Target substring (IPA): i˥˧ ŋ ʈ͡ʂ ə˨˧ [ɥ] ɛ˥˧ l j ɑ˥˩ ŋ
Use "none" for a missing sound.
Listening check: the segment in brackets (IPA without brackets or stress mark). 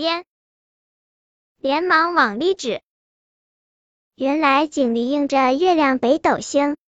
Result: ɥ